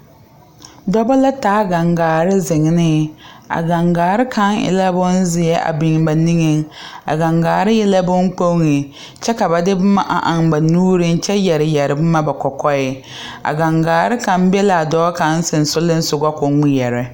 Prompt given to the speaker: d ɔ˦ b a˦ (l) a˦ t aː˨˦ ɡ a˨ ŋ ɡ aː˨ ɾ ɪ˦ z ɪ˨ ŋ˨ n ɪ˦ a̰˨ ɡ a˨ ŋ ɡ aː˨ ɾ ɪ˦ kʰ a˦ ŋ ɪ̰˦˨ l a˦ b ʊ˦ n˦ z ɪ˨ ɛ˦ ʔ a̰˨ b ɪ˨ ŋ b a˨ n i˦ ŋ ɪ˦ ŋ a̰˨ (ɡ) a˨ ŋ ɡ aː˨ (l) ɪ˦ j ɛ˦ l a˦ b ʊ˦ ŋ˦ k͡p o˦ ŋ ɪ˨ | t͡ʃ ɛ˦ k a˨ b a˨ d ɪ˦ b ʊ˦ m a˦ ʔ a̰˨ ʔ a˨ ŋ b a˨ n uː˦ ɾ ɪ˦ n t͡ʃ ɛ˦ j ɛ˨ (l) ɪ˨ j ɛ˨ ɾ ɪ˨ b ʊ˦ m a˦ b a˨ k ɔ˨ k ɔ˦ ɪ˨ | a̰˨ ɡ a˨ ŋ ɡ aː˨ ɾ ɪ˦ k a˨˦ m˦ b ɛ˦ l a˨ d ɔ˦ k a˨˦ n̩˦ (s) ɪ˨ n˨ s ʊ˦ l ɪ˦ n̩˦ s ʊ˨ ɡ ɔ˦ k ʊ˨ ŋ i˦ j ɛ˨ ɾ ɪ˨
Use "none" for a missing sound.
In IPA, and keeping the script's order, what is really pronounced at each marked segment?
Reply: l, ɡ, ɾ, ɾ, s

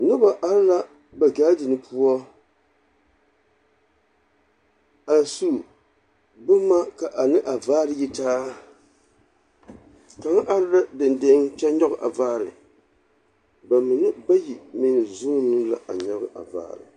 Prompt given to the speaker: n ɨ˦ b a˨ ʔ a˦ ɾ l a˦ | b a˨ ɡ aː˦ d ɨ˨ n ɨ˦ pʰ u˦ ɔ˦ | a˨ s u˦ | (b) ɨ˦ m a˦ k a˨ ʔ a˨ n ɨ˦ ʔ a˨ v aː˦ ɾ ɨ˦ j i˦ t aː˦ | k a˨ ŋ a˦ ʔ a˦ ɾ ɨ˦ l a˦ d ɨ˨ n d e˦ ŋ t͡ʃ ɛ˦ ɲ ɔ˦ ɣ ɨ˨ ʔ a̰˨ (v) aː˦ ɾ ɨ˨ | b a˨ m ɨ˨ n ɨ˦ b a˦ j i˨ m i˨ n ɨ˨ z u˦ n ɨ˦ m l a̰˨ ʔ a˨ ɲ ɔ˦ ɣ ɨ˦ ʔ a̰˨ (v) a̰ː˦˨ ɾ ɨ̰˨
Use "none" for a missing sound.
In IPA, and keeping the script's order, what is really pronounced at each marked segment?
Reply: b, v, v

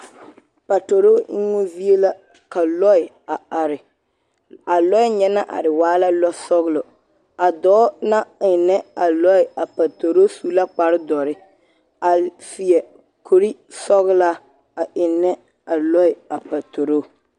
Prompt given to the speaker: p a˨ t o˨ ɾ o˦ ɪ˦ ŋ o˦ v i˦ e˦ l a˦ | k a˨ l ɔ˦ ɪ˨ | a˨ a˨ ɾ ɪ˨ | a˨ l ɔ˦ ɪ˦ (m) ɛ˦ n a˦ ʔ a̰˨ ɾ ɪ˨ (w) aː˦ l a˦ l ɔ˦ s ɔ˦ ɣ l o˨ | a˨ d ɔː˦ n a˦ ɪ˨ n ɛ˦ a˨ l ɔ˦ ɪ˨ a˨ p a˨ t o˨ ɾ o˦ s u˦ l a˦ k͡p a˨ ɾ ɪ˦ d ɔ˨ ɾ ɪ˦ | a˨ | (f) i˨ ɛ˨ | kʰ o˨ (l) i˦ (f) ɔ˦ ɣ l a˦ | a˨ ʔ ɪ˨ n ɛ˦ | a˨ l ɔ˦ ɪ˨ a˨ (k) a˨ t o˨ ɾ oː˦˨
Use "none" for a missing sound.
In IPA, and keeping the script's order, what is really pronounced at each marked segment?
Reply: ɲ, w, f, ɾ, s, p

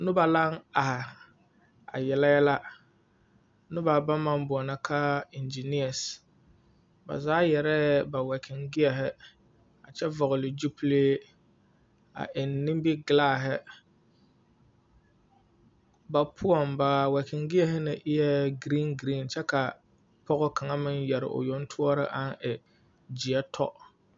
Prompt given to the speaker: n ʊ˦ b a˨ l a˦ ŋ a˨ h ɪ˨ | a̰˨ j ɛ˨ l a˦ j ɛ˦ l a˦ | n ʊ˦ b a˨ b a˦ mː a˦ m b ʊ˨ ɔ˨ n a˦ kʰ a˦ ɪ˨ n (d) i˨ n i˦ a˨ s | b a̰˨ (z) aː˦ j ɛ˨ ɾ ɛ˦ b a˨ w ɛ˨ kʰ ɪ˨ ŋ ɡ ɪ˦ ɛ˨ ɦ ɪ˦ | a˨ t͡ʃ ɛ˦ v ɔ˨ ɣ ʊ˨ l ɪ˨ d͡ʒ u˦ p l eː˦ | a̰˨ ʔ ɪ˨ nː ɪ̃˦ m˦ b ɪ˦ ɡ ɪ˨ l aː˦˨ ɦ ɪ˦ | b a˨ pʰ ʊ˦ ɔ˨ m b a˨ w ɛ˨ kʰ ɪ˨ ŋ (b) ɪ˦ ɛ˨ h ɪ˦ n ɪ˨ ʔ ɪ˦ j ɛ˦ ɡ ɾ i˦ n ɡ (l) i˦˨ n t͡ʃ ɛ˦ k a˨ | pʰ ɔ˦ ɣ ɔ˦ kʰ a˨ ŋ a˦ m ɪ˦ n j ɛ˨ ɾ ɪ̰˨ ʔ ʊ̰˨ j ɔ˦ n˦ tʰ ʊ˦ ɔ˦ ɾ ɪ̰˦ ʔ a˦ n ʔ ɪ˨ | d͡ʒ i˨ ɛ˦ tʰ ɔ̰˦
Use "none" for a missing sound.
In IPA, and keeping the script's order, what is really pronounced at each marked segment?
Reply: d͡ʒ, z, ɡ, ɾ

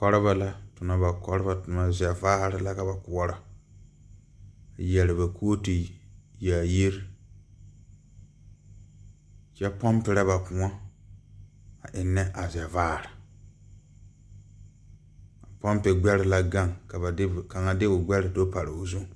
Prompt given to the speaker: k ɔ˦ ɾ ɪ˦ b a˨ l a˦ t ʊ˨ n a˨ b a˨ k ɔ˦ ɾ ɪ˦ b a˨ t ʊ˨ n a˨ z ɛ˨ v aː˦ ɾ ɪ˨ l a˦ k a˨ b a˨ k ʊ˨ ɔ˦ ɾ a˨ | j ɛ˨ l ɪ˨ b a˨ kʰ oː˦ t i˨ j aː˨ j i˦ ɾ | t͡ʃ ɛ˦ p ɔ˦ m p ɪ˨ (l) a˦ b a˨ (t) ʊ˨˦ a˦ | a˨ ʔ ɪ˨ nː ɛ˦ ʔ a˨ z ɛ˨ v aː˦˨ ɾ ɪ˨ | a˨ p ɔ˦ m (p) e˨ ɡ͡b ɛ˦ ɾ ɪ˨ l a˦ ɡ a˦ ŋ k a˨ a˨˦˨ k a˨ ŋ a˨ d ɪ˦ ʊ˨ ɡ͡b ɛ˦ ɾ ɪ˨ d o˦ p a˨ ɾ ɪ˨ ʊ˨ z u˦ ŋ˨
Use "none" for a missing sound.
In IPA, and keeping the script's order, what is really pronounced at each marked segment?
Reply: ɾ, p, p

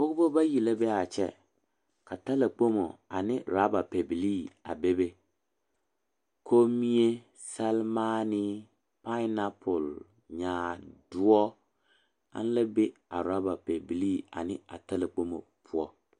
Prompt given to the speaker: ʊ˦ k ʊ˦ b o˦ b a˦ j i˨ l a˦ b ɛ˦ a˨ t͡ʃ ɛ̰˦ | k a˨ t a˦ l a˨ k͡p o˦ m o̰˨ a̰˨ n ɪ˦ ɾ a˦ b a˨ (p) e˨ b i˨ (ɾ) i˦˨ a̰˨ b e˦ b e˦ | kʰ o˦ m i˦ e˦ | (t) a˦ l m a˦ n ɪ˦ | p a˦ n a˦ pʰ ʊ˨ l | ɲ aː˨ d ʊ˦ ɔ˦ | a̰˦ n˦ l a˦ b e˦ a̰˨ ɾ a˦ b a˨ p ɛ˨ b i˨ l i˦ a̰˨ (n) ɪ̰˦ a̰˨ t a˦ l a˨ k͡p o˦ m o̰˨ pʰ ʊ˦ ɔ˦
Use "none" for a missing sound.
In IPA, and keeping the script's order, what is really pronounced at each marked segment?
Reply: p, l, s, n

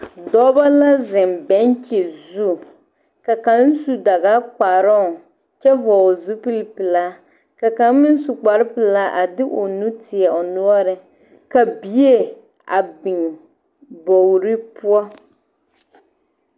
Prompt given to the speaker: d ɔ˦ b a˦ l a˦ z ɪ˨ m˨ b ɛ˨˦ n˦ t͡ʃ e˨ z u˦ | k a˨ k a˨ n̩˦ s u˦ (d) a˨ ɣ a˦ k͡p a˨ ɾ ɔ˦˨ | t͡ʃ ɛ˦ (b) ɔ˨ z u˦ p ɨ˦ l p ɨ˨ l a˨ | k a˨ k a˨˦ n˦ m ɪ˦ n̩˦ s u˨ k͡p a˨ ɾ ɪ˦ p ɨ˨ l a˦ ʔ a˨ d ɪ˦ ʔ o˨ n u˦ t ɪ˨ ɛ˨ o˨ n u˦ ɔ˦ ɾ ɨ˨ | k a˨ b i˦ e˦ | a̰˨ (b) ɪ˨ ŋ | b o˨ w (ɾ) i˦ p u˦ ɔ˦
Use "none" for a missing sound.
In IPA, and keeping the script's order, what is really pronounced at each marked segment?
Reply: d, v, b, ɾ

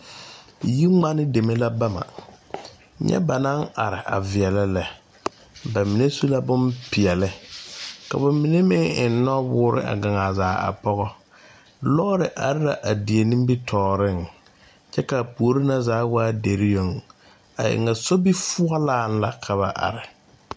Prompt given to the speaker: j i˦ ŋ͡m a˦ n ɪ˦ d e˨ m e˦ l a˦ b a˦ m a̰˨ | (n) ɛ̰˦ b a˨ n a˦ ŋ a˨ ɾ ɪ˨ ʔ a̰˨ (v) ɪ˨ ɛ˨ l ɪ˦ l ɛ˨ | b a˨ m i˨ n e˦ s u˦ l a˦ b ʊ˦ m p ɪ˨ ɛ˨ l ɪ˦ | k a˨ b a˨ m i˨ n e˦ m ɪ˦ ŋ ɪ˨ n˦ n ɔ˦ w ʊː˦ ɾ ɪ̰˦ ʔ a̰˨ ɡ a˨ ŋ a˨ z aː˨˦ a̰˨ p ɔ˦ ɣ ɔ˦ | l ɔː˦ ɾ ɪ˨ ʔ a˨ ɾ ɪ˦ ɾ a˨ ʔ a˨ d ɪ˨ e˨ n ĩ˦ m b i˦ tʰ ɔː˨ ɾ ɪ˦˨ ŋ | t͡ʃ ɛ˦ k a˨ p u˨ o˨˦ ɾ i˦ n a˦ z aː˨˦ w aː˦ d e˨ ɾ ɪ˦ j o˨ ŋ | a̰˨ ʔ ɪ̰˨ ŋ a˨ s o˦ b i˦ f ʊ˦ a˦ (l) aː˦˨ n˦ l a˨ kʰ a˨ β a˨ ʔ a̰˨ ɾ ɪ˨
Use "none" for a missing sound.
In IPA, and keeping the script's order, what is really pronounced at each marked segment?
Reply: ɲ, v, l

